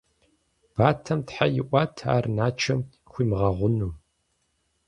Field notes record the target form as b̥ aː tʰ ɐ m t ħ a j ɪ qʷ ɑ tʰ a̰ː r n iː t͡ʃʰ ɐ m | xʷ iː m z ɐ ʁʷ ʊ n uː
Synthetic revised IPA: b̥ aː tʰ ɐ m t ħ a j ɪ ʔʷ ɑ tʰ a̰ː r n aː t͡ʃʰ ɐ m | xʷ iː m ʁ ɐ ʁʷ ʊ n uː